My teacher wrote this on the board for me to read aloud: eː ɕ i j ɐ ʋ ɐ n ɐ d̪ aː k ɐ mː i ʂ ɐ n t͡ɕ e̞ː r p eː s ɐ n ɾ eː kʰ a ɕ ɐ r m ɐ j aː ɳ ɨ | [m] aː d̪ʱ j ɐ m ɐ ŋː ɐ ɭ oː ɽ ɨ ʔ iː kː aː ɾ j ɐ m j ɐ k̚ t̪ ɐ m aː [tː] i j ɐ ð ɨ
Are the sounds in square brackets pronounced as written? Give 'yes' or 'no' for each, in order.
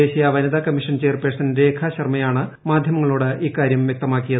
yes, no

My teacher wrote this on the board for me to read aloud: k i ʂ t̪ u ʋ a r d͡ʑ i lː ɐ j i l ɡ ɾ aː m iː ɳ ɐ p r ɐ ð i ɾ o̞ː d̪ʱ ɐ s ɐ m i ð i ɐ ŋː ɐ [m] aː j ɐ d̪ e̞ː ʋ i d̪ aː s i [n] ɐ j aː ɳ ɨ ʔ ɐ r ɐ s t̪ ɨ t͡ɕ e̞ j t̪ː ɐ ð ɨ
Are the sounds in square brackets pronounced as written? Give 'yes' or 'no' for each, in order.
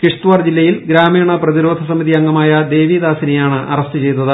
yes, yes

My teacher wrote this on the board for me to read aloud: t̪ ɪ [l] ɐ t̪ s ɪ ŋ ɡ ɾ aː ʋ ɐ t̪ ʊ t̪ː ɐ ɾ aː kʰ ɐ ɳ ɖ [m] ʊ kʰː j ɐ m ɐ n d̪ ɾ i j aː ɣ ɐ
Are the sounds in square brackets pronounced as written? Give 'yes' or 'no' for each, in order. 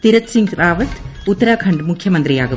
no, yes

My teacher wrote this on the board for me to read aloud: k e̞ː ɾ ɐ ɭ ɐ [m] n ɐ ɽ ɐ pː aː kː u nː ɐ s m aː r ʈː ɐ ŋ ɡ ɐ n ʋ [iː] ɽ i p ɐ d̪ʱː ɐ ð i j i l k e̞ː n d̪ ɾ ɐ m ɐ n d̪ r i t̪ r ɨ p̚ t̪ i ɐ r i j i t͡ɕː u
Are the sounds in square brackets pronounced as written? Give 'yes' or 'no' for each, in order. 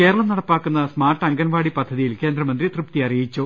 yes, no

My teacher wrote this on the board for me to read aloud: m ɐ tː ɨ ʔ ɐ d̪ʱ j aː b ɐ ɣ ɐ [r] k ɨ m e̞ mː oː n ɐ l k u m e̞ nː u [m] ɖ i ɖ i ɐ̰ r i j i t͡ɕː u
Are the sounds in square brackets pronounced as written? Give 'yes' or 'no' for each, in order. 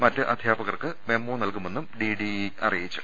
yes, yes

